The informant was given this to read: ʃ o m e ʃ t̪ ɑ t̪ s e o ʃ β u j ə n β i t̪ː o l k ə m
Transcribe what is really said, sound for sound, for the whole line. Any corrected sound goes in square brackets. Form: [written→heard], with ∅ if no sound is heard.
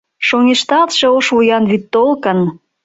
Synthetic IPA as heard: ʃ o [m→ŋ] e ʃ t̪ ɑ t̪ [s→ʃ] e o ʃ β u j [ə→ɑ] n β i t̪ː o l k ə [m→n]